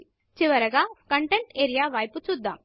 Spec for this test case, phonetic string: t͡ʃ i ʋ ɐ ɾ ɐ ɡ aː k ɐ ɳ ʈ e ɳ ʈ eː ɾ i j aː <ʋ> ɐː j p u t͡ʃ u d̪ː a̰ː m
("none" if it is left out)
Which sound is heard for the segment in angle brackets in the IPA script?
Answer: ʋ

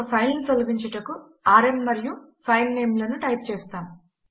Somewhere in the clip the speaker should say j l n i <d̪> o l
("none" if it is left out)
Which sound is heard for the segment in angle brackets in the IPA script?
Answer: t̪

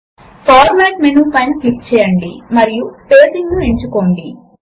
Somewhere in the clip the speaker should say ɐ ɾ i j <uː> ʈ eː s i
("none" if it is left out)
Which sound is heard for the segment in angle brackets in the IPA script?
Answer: u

